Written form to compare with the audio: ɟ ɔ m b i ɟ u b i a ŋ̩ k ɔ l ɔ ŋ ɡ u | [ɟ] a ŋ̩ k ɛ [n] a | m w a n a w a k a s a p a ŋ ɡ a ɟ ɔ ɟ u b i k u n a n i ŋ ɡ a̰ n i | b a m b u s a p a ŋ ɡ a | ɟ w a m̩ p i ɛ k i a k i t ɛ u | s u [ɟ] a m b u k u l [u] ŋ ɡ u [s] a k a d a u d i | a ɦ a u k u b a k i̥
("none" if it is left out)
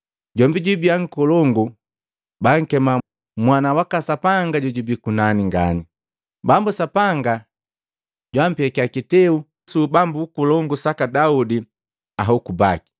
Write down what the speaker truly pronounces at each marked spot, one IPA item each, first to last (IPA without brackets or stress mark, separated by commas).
b, m, b, ɔ, s